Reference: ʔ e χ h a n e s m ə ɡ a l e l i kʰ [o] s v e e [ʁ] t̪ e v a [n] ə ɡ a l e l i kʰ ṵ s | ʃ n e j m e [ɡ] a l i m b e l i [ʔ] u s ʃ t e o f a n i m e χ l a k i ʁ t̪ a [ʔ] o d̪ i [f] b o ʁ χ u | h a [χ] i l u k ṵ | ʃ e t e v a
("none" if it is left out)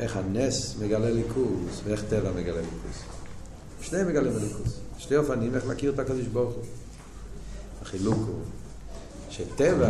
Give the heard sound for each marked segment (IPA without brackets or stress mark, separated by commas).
u, χ, m, ɡ, k, k, ʃ, χ